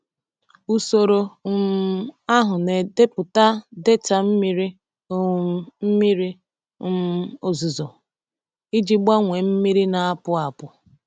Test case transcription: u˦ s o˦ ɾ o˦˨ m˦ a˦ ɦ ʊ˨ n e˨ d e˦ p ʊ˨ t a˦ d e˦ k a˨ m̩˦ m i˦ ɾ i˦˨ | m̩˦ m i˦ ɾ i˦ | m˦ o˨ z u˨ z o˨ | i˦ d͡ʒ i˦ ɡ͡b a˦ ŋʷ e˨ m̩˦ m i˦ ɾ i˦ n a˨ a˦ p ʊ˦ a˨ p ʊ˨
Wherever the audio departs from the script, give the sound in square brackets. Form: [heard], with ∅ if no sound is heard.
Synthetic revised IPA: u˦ s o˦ ɾ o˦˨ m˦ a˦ ɦ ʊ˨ n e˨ d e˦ p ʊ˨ t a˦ d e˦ [t] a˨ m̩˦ m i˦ ɾ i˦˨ | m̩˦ m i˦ ɾ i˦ | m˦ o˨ z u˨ z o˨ | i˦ d͡ʒ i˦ ɡ͡b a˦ ŋʷ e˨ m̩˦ m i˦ ɾ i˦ n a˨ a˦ p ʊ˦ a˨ p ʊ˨